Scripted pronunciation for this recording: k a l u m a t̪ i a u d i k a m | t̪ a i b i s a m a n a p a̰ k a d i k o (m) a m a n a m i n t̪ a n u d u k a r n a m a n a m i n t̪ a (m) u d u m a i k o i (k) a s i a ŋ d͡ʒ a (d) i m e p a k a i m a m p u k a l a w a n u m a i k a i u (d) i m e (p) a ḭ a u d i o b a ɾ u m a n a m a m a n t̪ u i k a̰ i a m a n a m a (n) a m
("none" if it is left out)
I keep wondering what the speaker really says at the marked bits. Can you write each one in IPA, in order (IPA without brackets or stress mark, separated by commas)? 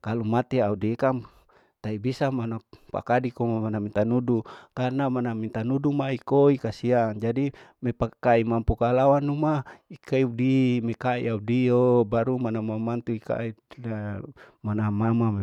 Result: m, n, k, d, d, k, m